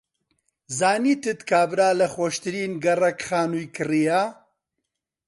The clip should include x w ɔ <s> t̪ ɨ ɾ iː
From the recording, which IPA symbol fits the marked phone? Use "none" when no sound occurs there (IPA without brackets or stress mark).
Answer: ʃ